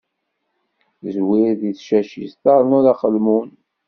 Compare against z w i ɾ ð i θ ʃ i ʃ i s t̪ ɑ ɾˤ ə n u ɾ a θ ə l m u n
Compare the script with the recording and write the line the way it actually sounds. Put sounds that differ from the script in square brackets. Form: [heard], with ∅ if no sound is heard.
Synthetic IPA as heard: z w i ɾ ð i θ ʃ [æ] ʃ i s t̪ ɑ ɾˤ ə n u ɾ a [χ] ə l m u n